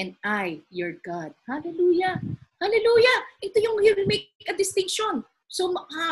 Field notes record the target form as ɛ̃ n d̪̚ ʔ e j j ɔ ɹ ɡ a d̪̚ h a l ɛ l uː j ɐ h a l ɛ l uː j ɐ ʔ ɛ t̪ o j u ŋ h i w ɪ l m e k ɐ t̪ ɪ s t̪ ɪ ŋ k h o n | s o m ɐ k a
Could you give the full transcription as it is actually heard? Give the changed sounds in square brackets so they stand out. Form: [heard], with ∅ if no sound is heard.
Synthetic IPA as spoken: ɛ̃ n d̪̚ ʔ [a] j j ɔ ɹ ɡ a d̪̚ h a l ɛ l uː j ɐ h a l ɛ l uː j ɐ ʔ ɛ t̪ o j [ʊ] ŋ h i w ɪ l m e k ɐ [d̪] ɪ s t̪ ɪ ŋ k [ʃ] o n | s o m ɐ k a